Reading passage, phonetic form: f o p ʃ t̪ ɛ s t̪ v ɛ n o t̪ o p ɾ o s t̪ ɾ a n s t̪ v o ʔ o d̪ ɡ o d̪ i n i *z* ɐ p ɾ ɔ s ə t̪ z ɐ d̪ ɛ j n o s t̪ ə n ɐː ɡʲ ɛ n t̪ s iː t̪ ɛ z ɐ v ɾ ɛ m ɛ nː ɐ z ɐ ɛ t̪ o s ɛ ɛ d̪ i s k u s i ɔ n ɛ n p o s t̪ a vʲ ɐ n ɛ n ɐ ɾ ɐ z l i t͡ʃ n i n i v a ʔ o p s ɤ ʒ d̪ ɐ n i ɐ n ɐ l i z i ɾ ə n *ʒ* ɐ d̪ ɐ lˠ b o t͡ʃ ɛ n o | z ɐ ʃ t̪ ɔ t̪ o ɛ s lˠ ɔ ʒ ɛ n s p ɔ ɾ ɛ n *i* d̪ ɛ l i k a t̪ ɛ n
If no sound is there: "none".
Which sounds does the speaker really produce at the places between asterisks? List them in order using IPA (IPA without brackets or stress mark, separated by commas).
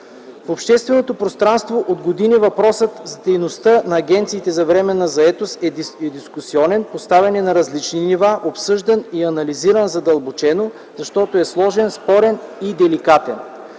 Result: v, z, i